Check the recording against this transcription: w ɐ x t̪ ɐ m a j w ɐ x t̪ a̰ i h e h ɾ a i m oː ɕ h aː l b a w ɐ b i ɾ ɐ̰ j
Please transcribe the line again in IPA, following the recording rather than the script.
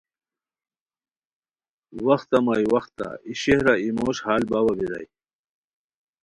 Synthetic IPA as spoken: w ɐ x t̪ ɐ m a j w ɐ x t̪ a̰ i ɕ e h ɾ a i m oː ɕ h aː l b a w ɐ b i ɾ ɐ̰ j